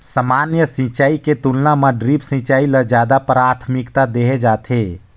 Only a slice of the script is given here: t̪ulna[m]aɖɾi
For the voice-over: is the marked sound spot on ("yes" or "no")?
yes